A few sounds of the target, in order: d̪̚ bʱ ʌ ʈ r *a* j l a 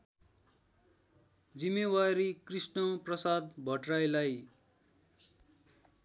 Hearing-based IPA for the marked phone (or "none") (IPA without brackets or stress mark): a